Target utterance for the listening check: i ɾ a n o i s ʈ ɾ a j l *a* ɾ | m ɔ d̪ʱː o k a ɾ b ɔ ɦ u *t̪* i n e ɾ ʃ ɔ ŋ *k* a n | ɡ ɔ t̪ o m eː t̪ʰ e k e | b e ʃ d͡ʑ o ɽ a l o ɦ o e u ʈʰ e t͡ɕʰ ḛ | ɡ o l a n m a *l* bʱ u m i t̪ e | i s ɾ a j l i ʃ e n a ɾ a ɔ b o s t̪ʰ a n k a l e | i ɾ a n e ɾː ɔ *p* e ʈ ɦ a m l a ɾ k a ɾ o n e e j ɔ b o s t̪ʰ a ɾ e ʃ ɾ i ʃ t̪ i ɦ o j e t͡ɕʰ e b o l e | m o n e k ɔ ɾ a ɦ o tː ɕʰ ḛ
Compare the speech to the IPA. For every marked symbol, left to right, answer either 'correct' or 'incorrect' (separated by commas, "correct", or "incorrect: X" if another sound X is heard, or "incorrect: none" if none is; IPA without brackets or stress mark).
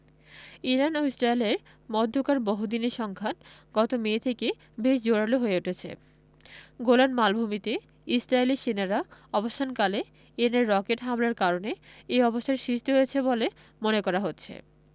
incorrect: e, incorrect: d̪, incorrect: kʰ, correct, incorrect: k